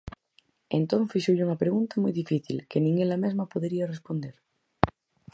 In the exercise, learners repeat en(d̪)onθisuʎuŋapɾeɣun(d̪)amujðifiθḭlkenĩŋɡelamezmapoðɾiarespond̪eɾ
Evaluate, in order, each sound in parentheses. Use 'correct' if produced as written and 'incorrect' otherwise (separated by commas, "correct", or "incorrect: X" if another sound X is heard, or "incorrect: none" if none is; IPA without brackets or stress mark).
incorrect: t̪, incorrect: t̪